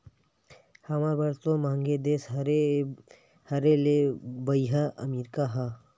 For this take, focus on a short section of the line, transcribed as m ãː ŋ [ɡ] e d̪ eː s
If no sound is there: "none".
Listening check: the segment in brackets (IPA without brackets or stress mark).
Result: ɡ